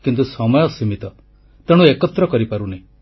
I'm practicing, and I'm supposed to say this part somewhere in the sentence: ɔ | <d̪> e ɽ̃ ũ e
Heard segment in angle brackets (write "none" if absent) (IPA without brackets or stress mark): t̪